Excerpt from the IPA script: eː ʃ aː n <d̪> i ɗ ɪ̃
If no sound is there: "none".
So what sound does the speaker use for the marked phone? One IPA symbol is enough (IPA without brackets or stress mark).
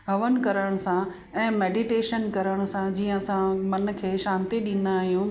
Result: t̪